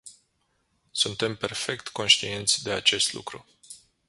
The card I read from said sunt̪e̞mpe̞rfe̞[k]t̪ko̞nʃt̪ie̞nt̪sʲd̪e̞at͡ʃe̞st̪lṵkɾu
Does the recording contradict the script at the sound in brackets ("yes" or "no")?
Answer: no